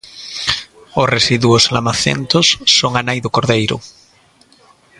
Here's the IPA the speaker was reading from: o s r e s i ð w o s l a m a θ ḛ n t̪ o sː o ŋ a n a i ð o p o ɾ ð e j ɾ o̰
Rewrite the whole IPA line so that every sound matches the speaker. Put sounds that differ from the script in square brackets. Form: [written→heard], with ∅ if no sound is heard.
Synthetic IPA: o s r e s i ð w o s l a m a θ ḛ n t̪ o sː o ŋ a n a [i→j] ð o [p→k] o ɾ ð e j ɾ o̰